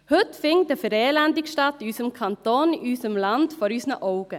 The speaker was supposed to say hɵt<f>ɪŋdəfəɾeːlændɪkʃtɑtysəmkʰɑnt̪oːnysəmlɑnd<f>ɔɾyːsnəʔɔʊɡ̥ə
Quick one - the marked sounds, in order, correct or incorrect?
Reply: correct, correct

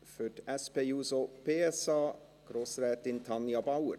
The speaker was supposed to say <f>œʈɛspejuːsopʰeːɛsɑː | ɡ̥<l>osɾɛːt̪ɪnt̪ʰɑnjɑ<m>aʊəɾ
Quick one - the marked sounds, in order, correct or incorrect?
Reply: correct, incorrect, incorrect

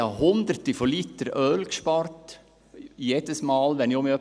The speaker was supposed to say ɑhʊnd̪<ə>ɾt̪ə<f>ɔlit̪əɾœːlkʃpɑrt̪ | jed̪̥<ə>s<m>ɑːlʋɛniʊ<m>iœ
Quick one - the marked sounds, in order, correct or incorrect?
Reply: correct, correct, correct, correct, correct

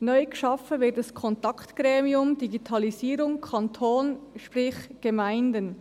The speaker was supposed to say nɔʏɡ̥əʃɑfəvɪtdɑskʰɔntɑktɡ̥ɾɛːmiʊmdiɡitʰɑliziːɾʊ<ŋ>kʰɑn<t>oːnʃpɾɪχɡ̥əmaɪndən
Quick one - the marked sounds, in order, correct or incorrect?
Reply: correct, incorrect

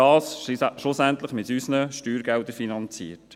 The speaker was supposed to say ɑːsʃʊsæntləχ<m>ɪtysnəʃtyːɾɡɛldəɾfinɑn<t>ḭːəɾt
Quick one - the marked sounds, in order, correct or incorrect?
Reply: correct, incorrect

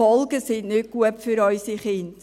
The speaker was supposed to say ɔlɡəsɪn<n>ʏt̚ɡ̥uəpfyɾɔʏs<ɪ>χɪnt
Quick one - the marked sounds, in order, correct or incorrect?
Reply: correct, incorrect

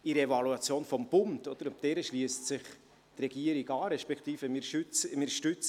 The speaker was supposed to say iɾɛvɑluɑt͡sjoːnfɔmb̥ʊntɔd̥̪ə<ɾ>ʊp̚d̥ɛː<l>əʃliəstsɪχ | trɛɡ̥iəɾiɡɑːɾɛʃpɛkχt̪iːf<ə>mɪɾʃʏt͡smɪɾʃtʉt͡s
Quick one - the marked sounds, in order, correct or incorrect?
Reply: correct, incorrect, correct

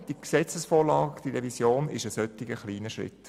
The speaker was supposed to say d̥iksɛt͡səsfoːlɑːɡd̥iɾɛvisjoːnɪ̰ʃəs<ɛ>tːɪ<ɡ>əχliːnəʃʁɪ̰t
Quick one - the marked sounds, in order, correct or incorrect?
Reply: incorrect, correct

